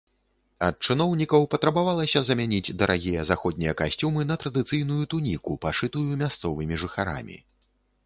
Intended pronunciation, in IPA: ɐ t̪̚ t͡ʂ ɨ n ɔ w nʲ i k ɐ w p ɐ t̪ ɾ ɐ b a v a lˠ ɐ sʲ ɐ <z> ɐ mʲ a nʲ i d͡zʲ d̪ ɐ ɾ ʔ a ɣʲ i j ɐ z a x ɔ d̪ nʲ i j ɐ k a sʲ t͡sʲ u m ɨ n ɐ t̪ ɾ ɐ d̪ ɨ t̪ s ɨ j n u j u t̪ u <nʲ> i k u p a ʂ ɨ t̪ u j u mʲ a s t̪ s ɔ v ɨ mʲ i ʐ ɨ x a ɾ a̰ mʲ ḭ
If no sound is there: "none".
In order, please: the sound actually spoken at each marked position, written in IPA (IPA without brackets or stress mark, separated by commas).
z, nʲ